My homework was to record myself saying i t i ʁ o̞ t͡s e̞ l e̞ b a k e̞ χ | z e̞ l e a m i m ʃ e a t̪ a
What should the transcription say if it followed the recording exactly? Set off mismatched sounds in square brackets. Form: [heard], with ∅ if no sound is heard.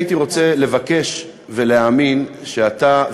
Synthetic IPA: i t i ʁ o̞ t͡s e̞ l e̞ [v] a k e̞ [ʃ] | [v] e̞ l e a m i [n] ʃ e a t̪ a

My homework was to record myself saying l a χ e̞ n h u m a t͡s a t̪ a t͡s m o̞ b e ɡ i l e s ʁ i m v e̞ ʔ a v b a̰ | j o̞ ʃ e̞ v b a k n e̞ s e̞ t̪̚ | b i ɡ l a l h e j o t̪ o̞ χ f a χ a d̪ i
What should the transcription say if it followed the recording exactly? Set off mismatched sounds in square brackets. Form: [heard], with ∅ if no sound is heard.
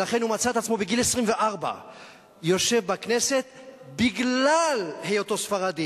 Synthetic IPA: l a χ e̞ n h u m a t͡s a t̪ a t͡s m o̞ b e ɡ i l e s ʁ i m v e̞ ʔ a [ʁ] b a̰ | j o̞ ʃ e̞ v b a k n e̞ s e̞ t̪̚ | b i ɡ l a l h e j o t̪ o̞ [s] f a [ʁ] a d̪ i

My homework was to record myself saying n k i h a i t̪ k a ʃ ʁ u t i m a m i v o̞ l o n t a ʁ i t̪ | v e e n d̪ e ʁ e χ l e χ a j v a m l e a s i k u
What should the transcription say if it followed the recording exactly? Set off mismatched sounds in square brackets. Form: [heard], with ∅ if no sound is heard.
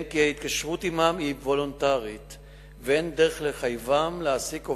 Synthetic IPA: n k i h a i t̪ k a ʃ ʁ u t i m a m i v o̞ l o n t a ʁ i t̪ | v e e n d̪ e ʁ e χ l e χ a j v a m l e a s i k [o]

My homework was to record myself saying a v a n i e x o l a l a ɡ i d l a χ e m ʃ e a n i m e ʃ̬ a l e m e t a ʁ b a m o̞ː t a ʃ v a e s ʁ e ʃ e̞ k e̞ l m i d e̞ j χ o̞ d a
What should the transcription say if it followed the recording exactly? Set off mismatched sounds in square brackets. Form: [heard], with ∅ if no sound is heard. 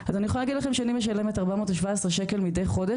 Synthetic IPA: a [z] a n i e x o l a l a ɡ i d l a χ e m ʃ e a n i m e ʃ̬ a l e m e t a ʁ b a m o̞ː t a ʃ v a e s ʁ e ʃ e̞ k e̞ l m i d e̞ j χ o̞ d [e]

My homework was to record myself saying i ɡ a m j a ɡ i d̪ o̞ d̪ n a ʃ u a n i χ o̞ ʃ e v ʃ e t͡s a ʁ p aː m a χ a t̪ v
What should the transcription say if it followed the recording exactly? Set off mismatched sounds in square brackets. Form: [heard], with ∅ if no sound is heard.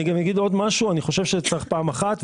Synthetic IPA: i ɡ a m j a ɡ i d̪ o̞ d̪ [m] a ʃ u a n i χ o̞ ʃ e v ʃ e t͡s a [χ] p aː m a χ a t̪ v

